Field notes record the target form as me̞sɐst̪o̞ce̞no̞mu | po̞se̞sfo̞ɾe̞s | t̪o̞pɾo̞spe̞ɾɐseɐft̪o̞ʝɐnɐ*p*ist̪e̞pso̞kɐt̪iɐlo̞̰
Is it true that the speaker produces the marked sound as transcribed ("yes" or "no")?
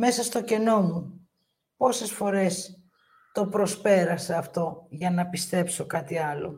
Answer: yes